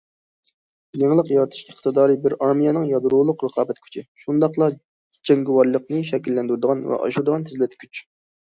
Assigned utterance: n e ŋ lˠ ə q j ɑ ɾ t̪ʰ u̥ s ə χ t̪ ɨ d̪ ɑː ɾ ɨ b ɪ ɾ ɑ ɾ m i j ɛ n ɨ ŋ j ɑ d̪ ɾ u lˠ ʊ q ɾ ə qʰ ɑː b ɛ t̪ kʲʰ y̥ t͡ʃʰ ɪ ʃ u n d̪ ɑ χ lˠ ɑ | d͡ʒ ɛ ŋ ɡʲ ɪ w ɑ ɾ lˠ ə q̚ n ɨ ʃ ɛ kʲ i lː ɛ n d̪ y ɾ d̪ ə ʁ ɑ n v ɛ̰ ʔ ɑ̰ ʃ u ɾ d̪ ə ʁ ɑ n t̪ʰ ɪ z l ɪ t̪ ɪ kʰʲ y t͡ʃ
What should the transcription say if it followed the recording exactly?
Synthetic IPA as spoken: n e ŋ lˠ ə q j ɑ ɾ t̪ʰ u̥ ʃ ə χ t̪ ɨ d̪ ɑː ɾ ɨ b ɪ ɾ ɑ ɾ m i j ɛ n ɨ ŋ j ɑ d̪ ɾ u lˠ ʊ q ɾ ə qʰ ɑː b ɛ t̪ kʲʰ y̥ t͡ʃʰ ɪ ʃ u n d̪ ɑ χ lˠ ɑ | d͡ʒ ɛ ŋ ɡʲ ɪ w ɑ ɾ lˠ ə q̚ n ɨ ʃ ɛ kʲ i lː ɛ n d̪ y ɾ d̪ ə ʁ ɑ n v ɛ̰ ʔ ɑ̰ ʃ u ɾ d̪ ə ʁ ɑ n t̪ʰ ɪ z l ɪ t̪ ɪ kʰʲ y t͡ʃ

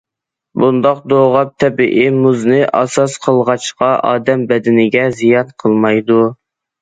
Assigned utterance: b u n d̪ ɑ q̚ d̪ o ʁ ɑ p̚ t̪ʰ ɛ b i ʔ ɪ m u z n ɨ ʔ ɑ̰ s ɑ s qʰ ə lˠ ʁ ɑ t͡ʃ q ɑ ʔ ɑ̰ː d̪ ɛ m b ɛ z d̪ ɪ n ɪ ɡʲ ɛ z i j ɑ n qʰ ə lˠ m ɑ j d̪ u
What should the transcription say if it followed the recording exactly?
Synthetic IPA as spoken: b u n d̪ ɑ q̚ d̪ o ʁ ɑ p̚ t̪ʰ ɛ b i ʔ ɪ m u z n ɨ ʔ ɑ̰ s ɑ s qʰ ə lˠ ʁ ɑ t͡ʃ q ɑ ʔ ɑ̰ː d̪ ɛ m b ɛ d̪ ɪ n ɪ ɡʲ ɛ z i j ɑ n qʰ ə lˠ m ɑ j d̪ u

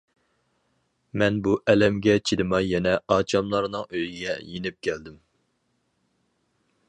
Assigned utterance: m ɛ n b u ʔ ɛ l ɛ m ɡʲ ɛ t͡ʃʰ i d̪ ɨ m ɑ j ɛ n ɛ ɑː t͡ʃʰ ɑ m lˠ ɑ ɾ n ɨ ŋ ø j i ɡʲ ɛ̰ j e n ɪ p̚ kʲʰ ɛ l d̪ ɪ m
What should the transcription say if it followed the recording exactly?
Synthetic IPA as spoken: m ɛ n b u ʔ ɛ l ɛ m ɡʲ ɛ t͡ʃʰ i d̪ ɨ m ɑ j ɛ n ɛ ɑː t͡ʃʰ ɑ m lˠ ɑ ɾ n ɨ ŋ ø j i ɡʲ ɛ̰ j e n ɪ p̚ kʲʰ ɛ l d̪ ɪ m

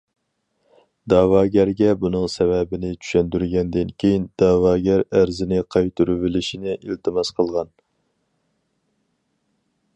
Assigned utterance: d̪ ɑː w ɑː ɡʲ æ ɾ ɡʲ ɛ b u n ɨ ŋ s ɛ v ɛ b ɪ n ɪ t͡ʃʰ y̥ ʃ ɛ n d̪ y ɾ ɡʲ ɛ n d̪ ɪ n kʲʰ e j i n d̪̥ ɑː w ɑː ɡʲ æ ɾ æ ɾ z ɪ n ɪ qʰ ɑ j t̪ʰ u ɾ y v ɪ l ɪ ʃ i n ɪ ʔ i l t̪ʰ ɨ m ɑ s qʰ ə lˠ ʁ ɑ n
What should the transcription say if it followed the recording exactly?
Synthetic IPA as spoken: d̪ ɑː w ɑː ɡʲ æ ɾ ɡʲ ɛ b u n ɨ ŋ s ɛ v ɛ b ɪ n ɪ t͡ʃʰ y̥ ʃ ɛ n d̪ y ɾ ɡʲ ɛ n d̪ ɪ n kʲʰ e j i n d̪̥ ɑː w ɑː ɡʲ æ ɾ æ ɾ z ɪ n ɪ qʰ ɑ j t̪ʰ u ɾ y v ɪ l ɪ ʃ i n ɪ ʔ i l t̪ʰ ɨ m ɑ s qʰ ə lˠ ʁ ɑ n

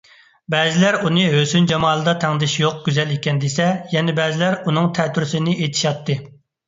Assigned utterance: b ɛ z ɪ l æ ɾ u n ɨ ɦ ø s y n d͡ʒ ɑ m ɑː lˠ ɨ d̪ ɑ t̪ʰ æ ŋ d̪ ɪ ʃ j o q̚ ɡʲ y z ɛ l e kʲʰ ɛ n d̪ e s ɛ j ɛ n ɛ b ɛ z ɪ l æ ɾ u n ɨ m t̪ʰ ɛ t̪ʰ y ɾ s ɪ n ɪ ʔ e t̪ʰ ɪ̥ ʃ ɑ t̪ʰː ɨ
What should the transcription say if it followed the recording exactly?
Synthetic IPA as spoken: b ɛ z ɪ l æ ɾ u n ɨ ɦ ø s y n d͡ʒ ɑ m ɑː lˠ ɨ d̪ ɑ t̪ʰ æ ŋ d̪ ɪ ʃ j o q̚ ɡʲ y z ɛ l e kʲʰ ɛ n d̪ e s ɛ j ɛ n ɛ b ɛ z ɪ l æ ɾ u n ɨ ŋ t̪ʰ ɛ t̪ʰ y ɾ s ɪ n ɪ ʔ e t̪ʰ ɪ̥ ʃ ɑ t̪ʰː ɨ

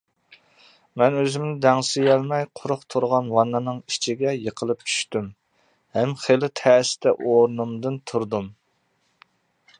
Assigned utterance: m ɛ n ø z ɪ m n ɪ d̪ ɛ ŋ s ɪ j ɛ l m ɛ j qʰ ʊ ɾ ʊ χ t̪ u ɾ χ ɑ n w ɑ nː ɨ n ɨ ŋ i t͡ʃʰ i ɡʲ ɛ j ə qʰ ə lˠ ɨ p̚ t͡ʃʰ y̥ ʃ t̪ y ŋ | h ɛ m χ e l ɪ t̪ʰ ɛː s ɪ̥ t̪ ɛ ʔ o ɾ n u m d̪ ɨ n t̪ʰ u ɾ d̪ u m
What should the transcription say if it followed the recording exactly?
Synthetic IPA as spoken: m ɛ n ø z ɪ m n ɪ d̪ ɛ ŋ s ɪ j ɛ l m ɛ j qʰ ʊ ɾ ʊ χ t̪ʰ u ɾ ʁ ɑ n w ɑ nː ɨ n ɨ ŋ i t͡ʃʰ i ɡʲ ɛ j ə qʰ ə lˠ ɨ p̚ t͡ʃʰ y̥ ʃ t̪ y m | h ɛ m χ e l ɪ t̪ʰ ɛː s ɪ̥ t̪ ɛ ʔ o ɾ n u m d̪ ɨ n t̪ʰ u ɾ d̪ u m

